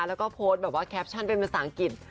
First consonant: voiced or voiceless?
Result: voiced